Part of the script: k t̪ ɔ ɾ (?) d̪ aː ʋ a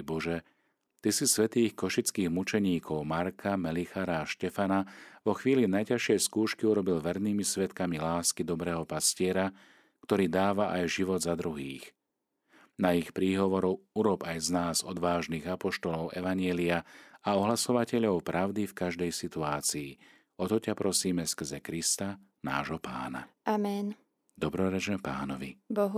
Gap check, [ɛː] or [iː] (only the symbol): iː